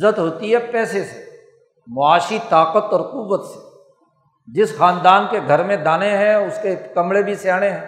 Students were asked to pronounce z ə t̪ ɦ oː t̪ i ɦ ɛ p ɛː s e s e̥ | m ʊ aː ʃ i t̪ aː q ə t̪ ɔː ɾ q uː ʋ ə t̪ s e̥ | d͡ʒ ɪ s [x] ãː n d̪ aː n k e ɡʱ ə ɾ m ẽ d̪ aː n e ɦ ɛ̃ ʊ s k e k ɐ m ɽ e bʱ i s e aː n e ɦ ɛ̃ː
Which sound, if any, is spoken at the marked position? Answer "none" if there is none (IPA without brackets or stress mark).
x